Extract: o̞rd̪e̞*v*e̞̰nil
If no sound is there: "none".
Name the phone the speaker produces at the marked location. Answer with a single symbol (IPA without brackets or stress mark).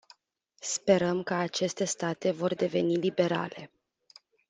v